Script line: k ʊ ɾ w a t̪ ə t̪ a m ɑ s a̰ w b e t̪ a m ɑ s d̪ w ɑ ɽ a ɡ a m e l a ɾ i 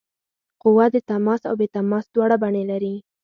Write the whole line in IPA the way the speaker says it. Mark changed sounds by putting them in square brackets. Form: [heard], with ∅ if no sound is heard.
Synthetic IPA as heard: [q] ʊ [∅] w a [d̪] ə t̪ a m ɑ s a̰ w b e t̪ a m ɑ s d̪ w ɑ ɽ a [b] a [ɳ] e l a ɾ i